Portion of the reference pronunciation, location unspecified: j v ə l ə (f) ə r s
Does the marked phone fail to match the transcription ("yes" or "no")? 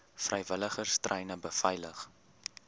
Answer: yes